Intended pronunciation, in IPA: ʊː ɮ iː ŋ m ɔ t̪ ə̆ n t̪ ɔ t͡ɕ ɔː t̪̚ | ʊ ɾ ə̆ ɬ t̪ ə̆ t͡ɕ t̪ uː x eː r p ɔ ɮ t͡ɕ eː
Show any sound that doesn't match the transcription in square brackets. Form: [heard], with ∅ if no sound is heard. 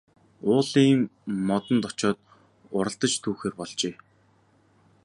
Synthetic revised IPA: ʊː ɮ iː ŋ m ɔ t̪ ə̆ n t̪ ɔ t͡ɕ ɔː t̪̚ | ʊ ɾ ə̆ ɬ t̪ ə̆ t͡ɕ [t̪ʰ] uː x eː r p ɔ ɮ t͡ɕ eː